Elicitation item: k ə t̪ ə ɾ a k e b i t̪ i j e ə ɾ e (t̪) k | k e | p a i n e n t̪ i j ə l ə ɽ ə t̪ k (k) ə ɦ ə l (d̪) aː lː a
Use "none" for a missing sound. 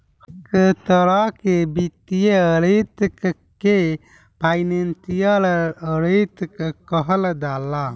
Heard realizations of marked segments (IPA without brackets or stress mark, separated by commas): t̪, k, d̪